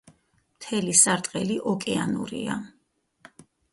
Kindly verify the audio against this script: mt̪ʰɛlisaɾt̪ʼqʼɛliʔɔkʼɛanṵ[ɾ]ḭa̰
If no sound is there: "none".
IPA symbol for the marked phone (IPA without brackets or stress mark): ɾ